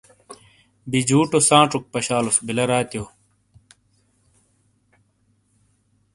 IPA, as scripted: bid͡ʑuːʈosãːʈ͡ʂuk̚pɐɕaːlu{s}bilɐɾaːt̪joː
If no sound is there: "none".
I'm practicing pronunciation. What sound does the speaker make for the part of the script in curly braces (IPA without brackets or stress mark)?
s